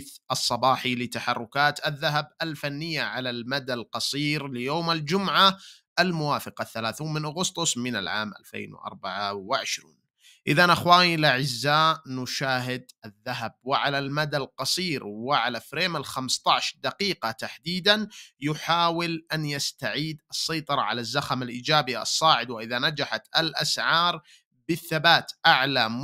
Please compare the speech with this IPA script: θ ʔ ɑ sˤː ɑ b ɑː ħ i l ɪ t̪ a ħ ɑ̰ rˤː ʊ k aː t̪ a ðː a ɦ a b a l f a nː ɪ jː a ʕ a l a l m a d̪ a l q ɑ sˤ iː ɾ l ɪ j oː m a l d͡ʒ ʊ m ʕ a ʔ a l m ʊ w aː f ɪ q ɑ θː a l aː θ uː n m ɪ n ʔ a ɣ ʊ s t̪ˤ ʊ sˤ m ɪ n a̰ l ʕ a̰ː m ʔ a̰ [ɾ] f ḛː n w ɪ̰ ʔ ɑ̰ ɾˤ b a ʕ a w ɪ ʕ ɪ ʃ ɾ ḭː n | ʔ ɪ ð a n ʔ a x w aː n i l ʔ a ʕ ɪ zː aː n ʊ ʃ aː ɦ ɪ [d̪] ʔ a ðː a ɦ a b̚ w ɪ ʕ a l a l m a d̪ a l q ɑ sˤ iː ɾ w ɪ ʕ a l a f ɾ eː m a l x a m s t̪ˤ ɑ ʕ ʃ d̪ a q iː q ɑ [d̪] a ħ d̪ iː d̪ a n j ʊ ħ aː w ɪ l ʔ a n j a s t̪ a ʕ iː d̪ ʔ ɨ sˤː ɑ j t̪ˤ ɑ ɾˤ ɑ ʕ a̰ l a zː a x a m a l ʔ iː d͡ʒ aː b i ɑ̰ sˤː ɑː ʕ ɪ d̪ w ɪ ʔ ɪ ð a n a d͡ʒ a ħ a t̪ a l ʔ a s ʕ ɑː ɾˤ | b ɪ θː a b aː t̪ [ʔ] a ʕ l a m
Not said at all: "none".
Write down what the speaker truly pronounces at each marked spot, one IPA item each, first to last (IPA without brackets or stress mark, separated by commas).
l, d̪, t̪, ʔ